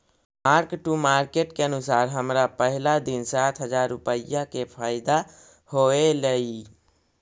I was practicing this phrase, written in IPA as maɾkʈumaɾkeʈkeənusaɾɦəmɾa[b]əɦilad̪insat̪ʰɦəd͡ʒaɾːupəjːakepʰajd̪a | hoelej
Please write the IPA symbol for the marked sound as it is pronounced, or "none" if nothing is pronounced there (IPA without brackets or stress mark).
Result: p